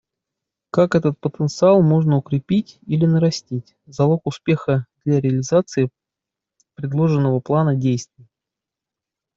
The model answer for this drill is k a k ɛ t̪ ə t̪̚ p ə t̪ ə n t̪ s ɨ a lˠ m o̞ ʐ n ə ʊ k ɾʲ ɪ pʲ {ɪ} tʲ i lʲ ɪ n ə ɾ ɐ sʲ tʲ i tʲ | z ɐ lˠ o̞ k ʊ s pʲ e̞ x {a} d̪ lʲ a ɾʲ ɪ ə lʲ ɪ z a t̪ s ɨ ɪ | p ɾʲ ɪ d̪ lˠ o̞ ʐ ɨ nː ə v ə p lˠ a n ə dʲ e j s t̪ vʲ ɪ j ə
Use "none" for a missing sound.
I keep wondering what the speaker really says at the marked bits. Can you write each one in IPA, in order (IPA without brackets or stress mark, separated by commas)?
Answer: i, ə